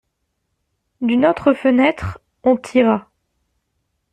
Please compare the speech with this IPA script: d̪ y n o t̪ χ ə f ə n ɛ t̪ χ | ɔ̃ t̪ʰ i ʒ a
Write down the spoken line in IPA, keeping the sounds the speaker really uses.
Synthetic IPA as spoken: d̪ y n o t̪ χ ə f ə n ɛ t̪ χ | ɔ̃ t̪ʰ i ʁ a